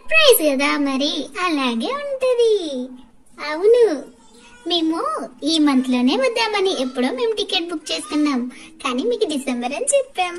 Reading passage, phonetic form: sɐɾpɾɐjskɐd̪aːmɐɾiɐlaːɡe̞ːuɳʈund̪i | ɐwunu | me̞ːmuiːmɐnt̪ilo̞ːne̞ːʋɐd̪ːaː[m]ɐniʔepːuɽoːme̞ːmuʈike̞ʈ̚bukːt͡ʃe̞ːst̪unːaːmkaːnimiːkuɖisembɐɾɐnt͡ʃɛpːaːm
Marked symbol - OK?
yes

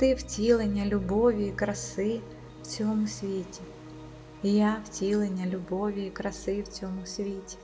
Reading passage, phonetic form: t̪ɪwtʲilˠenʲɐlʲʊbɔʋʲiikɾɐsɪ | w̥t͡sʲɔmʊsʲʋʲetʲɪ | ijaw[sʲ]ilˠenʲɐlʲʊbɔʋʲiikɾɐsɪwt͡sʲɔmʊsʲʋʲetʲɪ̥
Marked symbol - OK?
no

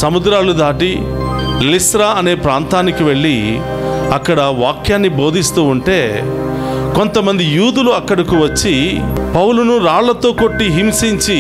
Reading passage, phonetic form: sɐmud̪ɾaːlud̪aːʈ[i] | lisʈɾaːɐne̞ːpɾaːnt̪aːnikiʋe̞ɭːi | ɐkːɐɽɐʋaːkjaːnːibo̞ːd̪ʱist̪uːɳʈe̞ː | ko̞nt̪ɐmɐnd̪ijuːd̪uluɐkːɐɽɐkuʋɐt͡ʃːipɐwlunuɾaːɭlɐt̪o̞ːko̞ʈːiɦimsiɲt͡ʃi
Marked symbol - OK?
yes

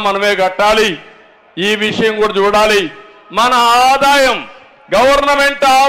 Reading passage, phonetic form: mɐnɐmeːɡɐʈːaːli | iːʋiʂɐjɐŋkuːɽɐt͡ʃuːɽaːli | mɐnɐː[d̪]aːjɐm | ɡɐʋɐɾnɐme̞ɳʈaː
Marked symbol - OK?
yes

